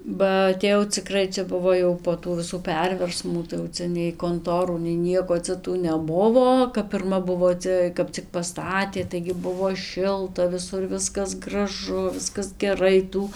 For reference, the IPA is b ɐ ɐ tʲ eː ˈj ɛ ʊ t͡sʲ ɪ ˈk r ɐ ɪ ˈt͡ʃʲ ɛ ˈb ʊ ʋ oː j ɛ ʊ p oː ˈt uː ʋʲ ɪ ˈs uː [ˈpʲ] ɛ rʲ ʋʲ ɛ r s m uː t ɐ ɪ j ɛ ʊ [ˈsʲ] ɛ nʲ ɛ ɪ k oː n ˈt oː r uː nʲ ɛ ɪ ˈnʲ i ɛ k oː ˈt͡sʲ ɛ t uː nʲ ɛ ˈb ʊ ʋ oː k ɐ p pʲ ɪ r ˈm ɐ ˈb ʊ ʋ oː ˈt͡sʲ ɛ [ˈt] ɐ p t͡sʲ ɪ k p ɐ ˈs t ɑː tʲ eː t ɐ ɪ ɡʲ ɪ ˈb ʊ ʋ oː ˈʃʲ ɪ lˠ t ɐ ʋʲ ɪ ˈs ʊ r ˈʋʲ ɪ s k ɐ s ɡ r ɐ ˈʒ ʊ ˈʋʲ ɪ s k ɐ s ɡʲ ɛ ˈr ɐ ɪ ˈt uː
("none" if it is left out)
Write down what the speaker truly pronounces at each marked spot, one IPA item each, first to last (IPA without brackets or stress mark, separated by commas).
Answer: pʲ, t͡sʲ, k